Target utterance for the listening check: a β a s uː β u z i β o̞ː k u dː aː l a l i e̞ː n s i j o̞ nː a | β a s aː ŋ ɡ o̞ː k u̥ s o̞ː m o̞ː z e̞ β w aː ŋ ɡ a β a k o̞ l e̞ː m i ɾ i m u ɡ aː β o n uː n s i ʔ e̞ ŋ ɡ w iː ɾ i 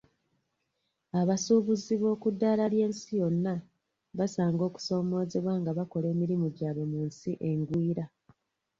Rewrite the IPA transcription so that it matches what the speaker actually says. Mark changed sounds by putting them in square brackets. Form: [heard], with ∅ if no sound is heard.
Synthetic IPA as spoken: a β a s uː β u z i β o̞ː k u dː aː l a l [j] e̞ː n s i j o̞ nː a | β a s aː ŋ ɡ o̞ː k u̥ s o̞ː m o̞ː z e̞ β w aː ŋ ɡ a β a k o̞ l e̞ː m i ɾ i m u [ɟ] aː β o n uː n s i ʔ e̞ ŋ ɡ w iː ɾ [a]

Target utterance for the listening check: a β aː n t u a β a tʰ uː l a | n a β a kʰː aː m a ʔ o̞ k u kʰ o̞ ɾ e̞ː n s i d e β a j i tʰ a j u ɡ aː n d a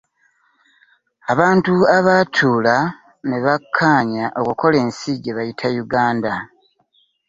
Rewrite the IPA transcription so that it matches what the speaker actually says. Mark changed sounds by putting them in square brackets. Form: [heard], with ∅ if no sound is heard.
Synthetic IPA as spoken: a β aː n t u a β a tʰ uː l a | n [e] β a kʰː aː [ɲ] a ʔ o̞ k u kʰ o̞ [l] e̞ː n s i [ɟ] e β a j i tʰ a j u ɡ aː n d a

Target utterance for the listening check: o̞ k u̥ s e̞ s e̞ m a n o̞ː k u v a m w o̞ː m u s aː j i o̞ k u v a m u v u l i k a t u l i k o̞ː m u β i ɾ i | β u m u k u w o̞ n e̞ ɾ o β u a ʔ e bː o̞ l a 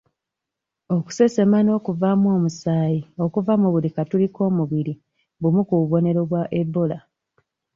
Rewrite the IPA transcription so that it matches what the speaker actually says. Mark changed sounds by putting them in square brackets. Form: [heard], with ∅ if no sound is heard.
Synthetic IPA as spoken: o̞ k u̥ s e̞ s e̞ m a n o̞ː k u v a m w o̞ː m u s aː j i o̞ k u v a m u [β] u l i k a t u l i k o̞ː m u β i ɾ i | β u m u k u [β] o̞ n e̞ ɾ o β [w] a ʔ e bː o̞ l a

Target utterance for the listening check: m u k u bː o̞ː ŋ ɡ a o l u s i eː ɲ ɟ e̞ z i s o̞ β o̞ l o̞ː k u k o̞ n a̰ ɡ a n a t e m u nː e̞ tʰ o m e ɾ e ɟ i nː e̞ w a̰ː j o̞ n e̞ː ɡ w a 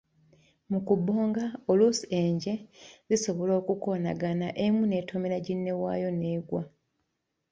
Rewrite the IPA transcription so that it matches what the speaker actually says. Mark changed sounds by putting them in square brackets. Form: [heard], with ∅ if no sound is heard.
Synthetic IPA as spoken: m u k u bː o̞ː ŋ ɡ a o l u s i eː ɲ ɟ e̞ z i s o̞ β o̞ l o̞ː k u k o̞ n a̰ ɡ a n a [ʔ] e m u [n] e̞ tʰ o m e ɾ [a] ɟ i nː e̞ w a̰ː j o̞ n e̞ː ɡ w a

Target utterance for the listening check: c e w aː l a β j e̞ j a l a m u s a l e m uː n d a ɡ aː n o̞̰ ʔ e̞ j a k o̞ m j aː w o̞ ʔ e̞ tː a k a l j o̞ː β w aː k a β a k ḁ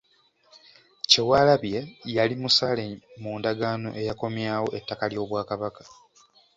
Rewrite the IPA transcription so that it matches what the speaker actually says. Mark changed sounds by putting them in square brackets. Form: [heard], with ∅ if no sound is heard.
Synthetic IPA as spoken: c e w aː l a β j e̞ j a l [i] m u s a l e m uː n d a ɡ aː n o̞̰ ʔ e̞ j a k o̞ m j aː w o̞ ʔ e̞ tː a k a l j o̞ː β w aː k a β a k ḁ

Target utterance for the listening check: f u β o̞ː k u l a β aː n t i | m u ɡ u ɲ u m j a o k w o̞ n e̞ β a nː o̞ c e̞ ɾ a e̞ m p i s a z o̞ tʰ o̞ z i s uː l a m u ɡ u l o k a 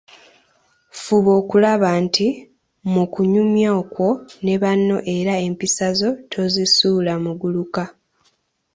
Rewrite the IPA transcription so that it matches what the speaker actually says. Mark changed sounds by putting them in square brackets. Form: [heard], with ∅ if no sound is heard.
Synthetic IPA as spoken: f u β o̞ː k u l a β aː n t i | m u [k] u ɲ u m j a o k w o̞ n e̞ β a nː o̞ [ʔ] e̞ ɾ a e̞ m p i s a z o̞ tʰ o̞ z i s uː l a m u ɡ u l [u] k a

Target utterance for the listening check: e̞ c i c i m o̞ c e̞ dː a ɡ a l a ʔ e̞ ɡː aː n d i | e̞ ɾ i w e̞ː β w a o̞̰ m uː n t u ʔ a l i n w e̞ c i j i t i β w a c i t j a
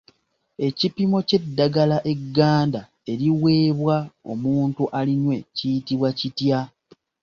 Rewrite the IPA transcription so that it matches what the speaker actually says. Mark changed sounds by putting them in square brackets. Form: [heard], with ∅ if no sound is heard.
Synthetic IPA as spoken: e̞ c i [p] i m o̞ c e̞ dː a ɡ a l a ʔ e̞ ɡː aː n d [a] | e̞ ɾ i w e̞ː β w a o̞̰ m uː n t u ʔ a l i n w e̞ c i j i t i β w a c i t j a

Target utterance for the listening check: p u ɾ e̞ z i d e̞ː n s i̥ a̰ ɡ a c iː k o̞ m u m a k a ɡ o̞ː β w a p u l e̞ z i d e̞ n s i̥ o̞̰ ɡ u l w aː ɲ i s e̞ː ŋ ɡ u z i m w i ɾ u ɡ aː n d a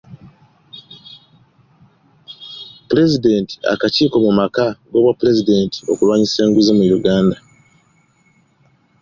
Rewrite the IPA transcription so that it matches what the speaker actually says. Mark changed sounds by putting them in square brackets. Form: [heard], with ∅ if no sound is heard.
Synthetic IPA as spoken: p u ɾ e̞ z i d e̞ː n [t] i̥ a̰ [k] a c iː k o̞ m u m a k a ɡ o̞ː β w a p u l e̞ z i d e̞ n [t] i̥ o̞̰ [k] u l w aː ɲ i s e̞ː ŋ ɡ u z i m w i ɾ u ɡ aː n d a

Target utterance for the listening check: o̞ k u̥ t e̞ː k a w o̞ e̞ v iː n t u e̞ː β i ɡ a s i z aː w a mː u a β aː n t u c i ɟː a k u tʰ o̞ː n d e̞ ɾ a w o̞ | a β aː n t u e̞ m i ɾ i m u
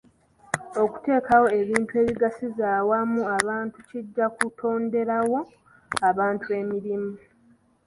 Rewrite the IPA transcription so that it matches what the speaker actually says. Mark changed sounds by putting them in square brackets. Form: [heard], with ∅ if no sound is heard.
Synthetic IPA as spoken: o̞ k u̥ t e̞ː k a w o̞ e̞ [β] iː n t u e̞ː β i ɡ a s i z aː w a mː u a β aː n t u c i ɟː a k u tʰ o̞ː n d e̞ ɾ a w o̞ | a β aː n t u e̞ m i ɾ i m u

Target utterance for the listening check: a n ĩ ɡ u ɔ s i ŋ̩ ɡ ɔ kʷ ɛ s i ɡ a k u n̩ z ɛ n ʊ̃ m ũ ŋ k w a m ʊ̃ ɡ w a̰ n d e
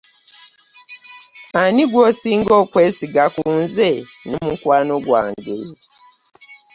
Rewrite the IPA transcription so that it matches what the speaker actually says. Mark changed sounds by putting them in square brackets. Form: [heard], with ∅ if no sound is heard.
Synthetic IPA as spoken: a n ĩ ɡ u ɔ s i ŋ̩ ɡ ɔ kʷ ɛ s i ɡ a k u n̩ z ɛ n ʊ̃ m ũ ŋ k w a [n] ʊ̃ ɡ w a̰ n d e

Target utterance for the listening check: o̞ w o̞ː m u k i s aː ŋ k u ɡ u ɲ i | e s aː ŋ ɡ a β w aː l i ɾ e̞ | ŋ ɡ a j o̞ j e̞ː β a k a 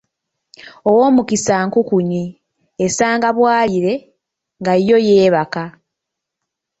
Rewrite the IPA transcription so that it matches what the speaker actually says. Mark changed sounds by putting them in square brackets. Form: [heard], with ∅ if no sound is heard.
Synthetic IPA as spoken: o̞ w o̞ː m u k i s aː ŋ k u [k] u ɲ i | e s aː ŋ ɡ a β w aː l i ɾ e̞ | ŋ ɡ a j o̞ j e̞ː β a k a

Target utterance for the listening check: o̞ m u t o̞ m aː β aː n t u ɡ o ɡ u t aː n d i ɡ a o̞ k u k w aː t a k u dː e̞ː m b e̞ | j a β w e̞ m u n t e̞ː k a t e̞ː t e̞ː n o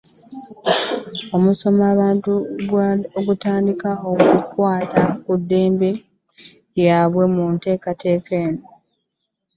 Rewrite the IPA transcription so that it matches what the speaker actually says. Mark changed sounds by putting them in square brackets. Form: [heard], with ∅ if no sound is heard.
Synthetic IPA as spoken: o̞ m u [s] o̞ m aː β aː n t u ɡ o ɡ u t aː n d i [k] a o̞ k u k w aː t a k u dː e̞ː m b e̞ | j a β w e̞ m u n t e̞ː k a t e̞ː [k] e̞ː n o

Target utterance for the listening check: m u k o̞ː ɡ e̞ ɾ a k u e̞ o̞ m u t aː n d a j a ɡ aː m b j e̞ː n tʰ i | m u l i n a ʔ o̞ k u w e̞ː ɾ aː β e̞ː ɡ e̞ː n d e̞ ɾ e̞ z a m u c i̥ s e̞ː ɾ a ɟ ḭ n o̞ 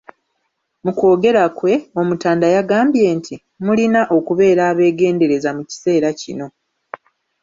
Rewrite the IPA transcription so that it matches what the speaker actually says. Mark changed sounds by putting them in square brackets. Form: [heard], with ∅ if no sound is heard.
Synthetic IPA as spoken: m u k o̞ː ɡ e̞ ɾ a k [w] e̞ o̞ m u t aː n d a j a ɡ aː m b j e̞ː n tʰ i | m u l i n a ʔ o̞ k u [β] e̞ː ɾ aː β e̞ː ɡ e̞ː n d e̞ ɾ e̞ z a m u c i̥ s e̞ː ɾ a [c] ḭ n o̞

